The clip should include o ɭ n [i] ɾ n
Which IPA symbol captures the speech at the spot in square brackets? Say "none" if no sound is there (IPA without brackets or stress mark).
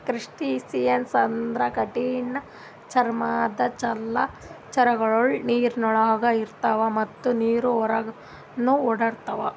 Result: iː